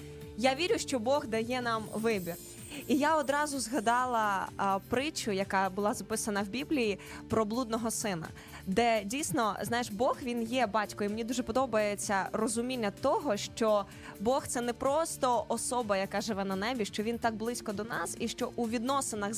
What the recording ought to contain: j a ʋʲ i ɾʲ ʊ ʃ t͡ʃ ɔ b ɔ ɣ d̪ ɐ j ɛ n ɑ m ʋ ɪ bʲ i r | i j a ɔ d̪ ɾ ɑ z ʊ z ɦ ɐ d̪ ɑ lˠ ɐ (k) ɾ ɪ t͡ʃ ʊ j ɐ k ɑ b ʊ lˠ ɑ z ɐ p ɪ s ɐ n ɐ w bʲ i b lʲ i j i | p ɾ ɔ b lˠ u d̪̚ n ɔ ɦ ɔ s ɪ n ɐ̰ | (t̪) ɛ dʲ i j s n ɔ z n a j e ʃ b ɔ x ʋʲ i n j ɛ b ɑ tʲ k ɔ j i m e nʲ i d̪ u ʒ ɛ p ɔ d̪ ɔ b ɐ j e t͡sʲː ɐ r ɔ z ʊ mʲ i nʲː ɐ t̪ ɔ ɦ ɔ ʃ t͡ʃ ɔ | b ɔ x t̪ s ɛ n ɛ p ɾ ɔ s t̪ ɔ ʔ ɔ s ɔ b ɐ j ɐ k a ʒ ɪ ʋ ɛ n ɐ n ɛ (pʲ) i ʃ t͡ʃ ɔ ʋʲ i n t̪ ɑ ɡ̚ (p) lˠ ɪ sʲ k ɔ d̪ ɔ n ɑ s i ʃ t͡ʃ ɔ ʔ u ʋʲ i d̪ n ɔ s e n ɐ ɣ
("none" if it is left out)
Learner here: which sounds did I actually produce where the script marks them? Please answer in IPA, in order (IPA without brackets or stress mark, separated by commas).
p, d̪, bʲ, b